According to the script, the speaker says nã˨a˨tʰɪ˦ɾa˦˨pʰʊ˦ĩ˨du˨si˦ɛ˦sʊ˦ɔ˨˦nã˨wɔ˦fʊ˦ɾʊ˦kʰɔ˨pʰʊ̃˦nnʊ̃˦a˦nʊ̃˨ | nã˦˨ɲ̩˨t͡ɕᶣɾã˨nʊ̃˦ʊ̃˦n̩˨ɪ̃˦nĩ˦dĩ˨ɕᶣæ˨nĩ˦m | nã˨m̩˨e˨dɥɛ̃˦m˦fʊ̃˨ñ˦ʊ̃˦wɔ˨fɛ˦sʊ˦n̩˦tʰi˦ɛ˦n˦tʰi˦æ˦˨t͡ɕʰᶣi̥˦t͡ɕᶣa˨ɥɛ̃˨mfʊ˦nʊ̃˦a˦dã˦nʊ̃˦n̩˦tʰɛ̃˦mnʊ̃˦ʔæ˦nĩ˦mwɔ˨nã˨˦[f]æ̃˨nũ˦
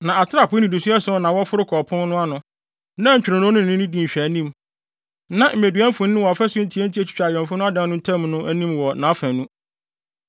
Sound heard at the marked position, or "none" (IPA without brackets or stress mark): f